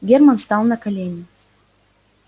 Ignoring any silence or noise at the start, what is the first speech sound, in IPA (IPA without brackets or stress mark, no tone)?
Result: ɡʲ